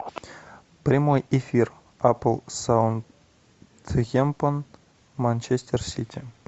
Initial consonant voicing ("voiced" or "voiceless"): voiceless